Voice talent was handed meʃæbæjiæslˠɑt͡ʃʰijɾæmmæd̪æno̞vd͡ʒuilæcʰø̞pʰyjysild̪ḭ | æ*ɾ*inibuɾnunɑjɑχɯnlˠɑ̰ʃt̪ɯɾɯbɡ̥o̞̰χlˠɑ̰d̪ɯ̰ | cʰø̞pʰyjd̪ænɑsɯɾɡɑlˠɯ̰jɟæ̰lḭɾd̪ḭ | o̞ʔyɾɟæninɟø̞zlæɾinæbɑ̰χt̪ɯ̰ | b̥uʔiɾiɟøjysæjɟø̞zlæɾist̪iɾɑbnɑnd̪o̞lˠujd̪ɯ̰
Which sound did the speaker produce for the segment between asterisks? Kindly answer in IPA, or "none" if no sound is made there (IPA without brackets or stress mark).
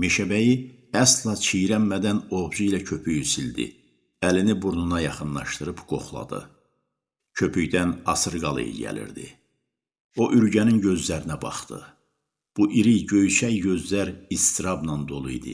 l